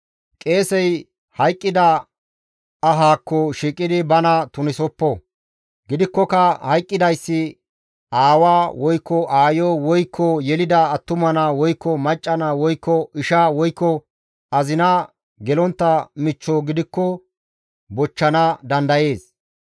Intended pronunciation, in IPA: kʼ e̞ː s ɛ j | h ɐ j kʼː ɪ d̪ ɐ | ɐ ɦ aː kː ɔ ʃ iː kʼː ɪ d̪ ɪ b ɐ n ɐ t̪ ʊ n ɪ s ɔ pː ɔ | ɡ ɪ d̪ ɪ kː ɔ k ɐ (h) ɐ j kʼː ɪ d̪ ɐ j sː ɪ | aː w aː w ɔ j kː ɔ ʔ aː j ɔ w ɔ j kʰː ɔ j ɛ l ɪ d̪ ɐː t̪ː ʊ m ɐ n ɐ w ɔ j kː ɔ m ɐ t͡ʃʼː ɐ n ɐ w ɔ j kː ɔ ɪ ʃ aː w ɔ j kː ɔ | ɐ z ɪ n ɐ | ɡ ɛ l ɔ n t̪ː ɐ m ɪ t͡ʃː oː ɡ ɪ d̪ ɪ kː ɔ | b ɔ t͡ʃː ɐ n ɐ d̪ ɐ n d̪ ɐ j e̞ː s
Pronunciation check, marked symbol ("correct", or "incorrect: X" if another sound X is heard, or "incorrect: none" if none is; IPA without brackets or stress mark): correct